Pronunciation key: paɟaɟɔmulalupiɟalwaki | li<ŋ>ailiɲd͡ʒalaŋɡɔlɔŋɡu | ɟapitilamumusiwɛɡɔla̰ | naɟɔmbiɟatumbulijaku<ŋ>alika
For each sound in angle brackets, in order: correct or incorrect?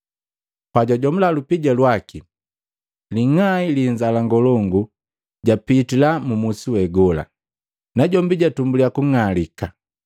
correct, correct

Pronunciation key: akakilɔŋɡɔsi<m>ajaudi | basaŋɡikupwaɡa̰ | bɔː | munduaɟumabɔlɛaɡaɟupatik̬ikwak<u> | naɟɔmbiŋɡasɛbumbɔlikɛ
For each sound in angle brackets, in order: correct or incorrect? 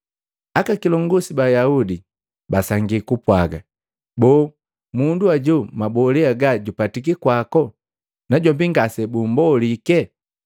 incorrect: b, incorrect: ɔ

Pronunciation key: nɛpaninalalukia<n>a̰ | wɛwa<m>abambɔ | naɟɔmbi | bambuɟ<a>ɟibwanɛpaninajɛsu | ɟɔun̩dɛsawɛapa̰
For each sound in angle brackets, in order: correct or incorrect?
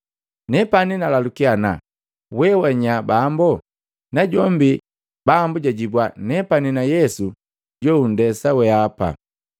correct, incorrect: ɲ, correct

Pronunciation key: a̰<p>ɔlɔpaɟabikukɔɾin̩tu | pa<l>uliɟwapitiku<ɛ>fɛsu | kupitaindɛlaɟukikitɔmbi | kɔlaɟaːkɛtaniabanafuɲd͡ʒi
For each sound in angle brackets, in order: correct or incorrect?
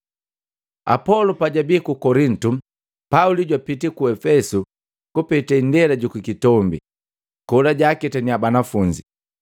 correct, incorrect: none, correct

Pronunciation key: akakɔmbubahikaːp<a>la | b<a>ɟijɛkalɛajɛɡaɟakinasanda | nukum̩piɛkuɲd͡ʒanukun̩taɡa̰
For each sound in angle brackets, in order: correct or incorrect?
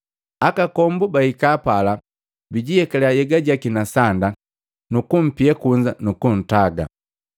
correct, incorrect: i

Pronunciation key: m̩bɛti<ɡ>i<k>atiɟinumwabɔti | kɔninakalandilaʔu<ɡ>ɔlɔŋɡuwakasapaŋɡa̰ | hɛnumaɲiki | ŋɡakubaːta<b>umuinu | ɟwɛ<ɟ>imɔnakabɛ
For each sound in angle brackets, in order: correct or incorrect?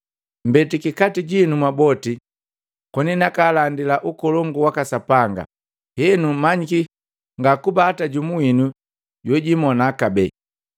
incorrect: k, correct, incorrect: k, incorrect: ɟ, correct

